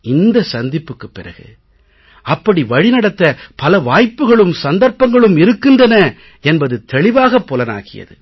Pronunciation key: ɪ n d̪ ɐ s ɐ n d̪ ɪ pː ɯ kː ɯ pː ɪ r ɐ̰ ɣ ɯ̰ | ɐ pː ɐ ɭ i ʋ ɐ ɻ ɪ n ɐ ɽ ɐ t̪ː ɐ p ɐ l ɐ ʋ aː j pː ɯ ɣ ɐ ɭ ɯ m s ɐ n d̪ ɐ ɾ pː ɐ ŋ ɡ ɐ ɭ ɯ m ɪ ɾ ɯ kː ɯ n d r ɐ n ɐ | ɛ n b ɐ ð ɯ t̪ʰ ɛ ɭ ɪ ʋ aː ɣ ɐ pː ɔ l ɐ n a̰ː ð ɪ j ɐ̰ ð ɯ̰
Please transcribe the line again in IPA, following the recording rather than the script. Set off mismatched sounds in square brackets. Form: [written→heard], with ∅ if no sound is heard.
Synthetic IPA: ɪ n d̪ ɐ s ɐ n d̪ ɪ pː ɯ kː ɯ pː ɪ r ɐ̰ ɣ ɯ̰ | ɐ pː ɐ [ɭ→ɽ] i ʋ ɐ ɻ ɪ n ɐ ɽ ɐ t̪ː ɐ p ɐ l ɐ ʋ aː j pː ɯ ɣ ɐ ɭ ɯ m s ɐ n d̪ ɐ ɾ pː ɐ ŋ ɡ ɐ ɭ ɯ m ɪ ɾ ɯ kː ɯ n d r ɐ n ɐ | ɛ n b ɐ ð ɯ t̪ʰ ɛ ɭ ɪ ʋ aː ɣ ɐ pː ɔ l ɐ n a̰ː [ð→ɣ] ɪ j ɐ̰ ð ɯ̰